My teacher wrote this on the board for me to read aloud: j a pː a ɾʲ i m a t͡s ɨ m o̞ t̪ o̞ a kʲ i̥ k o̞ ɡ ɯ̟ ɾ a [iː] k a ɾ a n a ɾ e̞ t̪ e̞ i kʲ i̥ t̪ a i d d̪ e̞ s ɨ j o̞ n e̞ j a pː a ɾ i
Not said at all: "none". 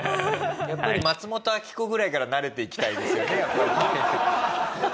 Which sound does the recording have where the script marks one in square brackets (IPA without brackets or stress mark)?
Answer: i